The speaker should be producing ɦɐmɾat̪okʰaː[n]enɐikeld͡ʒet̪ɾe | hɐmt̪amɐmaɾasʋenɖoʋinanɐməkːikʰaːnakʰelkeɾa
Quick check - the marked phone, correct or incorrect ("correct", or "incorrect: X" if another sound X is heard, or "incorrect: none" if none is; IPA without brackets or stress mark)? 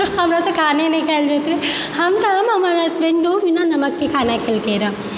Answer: correct